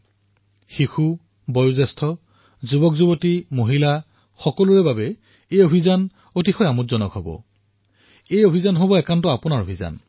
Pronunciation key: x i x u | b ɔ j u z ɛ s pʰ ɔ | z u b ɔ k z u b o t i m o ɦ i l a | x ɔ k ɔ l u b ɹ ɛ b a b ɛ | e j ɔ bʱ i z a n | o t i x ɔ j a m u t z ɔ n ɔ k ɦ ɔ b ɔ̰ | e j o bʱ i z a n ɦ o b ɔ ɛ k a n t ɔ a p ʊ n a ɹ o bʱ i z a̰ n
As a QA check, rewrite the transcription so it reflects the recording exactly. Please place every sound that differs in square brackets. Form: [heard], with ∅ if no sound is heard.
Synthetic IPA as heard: x i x u | b ɔ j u z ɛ s [tʰ] ɔ | z u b ɔ k z u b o t i m o ɦ i l a | x ɔ k ɔ l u [∅] ɹ ɛ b a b ɛ | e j [o] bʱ i z a n | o t i x ɔ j a m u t z ɔ n ɔ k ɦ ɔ b ɔ̰ | e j o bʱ i z a n ɦ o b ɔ ɛ k a n t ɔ a p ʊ n a ɹ o bʱ i z a̰ n